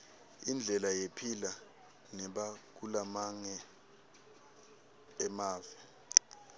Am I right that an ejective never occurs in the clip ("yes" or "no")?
yes